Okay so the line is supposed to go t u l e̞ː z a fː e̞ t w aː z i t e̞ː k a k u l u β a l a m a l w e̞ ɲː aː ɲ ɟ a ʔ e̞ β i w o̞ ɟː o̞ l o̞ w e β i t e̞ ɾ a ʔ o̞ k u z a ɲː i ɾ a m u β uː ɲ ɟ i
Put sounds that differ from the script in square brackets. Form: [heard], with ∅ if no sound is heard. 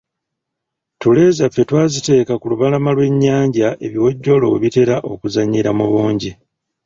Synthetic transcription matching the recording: t u l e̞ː z a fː e̞ t w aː z i t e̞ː k a k u l u β a l a m a l w e̞ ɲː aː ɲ ɟ a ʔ e̞ β i w o̞ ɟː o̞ l o̞ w e β i t e̞ ɾ a ʔ o̞ k u z a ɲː i ɾ a m u β uː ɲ ɟ i

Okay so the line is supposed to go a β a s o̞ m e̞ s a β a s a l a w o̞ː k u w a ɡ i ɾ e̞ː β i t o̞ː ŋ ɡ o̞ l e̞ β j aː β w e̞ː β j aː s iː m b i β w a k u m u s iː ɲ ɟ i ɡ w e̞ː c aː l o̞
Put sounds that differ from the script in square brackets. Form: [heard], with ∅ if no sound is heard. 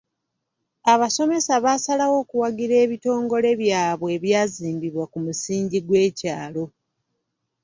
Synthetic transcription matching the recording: a β a s o̞ m e̞ s a β a s a l a w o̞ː k u w a ɡ i ɾ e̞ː β i t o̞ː ŋ ɡ o̞ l e̞ β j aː β w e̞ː β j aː [z] iː m b i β w a k u m u s iː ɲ ɟ i ɡ w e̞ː c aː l o̞

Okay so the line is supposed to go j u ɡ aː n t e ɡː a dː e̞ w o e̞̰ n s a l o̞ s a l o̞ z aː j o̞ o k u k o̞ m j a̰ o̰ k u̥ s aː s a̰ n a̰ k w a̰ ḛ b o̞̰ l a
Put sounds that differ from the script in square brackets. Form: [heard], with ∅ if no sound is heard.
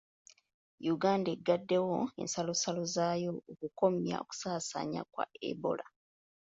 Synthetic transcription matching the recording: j u ɡ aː n [d] e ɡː a dː e̞ w o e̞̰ n s a l o̞ s a l o̞ z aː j o̞ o k u k o̞ m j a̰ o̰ k u̥ s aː s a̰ [ɲ] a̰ k w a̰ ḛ b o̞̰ l a

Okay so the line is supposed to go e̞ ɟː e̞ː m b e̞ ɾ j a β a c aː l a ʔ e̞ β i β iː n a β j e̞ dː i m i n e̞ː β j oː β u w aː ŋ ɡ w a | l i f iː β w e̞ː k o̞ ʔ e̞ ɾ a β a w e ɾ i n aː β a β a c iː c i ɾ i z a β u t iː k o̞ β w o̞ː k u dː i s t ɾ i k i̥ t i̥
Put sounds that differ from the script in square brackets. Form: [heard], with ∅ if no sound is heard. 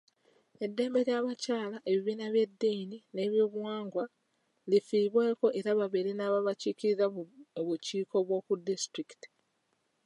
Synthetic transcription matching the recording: e̞ [dː] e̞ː m b e̞ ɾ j a β a c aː l a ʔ e̞ β i β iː n a β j e̞ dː i [n] i n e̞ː β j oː β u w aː ŋ ɡ w a | l i f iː β w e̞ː k o̞ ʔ e̞ ɾ a β a [β] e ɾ i n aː β a β a c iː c i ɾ i z a β u [c] iː k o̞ β w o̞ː k u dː i s t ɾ i k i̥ t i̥

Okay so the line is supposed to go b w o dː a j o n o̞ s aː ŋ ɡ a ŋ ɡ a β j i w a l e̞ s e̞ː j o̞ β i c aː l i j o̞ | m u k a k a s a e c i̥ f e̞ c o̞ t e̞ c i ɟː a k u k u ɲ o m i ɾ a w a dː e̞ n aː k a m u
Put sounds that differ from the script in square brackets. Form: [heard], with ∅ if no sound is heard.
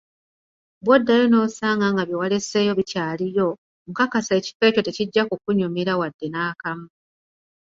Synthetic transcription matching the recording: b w o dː a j o n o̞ s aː ŋ ɡ a ŋ ɡ a β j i w a l e̞ s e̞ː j o̞ β i c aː l i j o̞ | m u k a k a s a e c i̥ f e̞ c o̞ t e̞ c i ɟː a k u k u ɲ [u] m i ɾ a w a dː e̞ n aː k a m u

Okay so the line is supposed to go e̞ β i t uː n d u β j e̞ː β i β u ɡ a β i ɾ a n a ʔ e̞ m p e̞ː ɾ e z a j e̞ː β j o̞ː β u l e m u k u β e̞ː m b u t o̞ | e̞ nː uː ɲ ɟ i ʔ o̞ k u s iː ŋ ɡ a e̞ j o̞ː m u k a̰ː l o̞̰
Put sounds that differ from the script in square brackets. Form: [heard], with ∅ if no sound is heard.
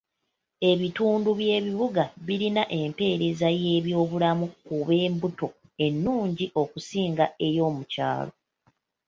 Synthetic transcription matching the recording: e̞ β i t uː n d u β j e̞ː β i β u ɡ a β i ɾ [i] n a ʔ e̞ m p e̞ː ɾ e z a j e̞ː β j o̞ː β u l [a] m u k u β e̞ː m b u t o̞ | e̞ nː uː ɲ ɟ i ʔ o̞ k u s iː ŋ ɡ a e̞ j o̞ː m u [c] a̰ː l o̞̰

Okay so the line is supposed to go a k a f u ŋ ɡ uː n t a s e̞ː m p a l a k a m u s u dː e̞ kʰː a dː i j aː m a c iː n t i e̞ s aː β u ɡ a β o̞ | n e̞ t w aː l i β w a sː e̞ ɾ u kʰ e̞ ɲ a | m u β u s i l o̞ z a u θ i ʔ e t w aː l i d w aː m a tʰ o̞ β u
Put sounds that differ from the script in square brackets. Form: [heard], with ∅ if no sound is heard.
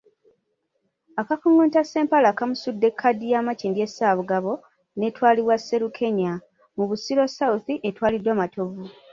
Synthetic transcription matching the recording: a k a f u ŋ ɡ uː n t a s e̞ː m p a l a k a m u s u dː e̞ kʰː a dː i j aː m a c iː n [d] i e̞ s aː β u ɡ a β o̞ | n e̞ t w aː l i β w a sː e̞ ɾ u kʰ e̞ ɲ a | m u β u s i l o̞ [s] a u θ i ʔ e t w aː l i d w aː m a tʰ o̞ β u

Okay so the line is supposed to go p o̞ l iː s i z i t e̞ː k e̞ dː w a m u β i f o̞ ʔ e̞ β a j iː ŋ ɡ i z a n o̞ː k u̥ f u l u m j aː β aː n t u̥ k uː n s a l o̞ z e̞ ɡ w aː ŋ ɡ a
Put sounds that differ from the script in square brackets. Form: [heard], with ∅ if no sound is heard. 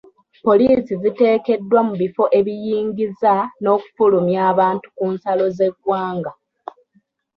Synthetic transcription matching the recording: p o̞ l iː s i z i t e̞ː k e̞ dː w a m u β i f o̞ ʔ e̞ β [i] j iː ŋ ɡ i z a n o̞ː k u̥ f u l u m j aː β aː n t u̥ k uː n s a l o̞ z e̞ ɡ w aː ŋ ɡ a

